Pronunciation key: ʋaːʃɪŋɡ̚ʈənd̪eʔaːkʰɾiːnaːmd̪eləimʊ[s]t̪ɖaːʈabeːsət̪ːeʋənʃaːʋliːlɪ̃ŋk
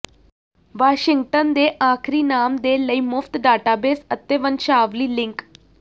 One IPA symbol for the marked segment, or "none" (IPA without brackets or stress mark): f